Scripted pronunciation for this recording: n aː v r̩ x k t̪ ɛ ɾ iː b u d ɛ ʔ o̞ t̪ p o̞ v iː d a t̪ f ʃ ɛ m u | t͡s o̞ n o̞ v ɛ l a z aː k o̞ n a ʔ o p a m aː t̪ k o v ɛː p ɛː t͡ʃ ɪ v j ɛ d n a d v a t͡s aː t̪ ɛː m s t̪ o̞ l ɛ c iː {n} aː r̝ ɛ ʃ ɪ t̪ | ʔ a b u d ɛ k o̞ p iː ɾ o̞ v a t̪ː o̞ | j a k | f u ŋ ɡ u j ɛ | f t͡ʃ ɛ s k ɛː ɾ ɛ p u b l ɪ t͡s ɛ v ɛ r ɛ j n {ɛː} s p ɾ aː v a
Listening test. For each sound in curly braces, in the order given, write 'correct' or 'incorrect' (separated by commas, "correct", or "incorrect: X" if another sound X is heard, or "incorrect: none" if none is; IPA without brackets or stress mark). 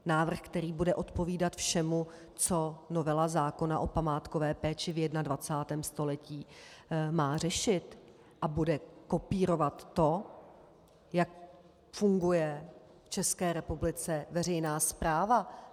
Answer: incorrect: m, incorrect: aː